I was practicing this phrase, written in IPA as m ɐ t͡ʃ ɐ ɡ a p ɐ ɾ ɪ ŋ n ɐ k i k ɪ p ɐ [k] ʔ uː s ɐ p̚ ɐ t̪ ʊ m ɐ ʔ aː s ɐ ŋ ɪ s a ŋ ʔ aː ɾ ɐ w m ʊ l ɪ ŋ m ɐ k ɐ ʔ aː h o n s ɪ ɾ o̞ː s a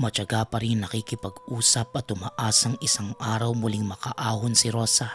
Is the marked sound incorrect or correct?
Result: incorrect